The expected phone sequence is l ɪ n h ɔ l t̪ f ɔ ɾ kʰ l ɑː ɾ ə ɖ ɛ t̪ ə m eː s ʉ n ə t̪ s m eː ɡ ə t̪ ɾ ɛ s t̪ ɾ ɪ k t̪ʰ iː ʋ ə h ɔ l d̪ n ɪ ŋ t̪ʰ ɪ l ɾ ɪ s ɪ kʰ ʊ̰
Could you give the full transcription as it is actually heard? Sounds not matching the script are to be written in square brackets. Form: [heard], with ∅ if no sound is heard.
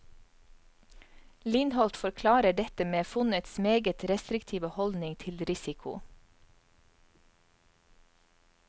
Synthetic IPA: l ɪ n h ɔ l t̪ f ɔ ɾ kʰ l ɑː ɾ ə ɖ ɛ t̪ ə m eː [f] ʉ n ə t̪ s m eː ɡ ə t̪ ɾ ɛ s t̪ ɾ ɪ k t̪ʰ iː ʋ ə h ɔ l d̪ n ɪ ŋ t̪ʰ ɪ l ɾ ɪ s ɪ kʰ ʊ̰